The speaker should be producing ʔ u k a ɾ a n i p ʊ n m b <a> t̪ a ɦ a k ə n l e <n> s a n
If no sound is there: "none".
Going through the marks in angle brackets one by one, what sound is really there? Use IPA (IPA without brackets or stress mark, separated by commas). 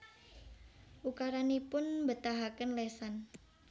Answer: ə, none